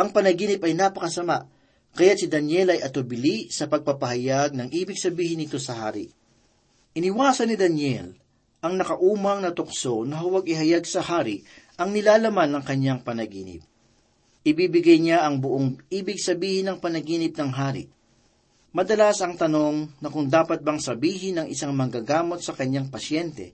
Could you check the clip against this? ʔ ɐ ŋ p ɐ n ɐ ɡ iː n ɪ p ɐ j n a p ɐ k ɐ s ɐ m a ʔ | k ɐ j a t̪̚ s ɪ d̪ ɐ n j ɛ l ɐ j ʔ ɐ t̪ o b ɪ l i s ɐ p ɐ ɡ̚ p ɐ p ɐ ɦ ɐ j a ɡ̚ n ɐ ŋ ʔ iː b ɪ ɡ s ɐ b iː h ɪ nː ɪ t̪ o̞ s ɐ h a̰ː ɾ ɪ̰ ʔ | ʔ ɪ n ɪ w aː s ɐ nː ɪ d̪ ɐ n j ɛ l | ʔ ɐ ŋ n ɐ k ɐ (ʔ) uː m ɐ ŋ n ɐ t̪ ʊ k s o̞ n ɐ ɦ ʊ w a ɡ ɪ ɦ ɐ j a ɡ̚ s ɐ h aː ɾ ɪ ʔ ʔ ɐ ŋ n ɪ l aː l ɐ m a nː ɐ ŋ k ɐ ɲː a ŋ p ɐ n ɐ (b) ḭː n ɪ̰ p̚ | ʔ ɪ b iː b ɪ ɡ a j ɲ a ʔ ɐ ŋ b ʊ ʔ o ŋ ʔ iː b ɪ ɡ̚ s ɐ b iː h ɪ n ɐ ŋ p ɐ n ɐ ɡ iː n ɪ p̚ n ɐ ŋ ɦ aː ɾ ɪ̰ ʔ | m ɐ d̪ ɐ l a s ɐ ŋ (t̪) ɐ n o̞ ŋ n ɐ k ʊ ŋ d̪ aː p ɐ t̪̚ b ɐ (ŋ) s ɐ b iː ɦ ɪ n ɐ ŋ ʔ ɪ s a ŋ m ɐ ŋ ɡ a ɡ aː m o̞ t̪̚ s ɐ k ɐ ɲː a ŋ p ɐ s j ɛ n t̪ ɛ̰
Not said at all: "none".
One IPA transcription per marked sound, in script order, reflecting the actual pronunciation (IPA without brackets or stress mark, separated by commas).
ʔ, ɡ, t̪, ŋ